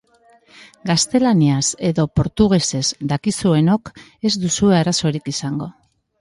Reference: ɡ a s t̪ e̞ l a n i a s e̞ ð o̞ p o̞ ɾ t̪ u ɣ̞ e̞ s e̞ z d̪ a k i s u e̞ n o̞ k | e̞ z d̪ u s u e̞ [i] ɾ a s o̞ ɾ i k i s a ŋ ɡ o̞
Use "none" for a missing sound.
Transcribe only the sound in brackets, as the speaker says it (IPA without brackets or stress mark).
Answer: a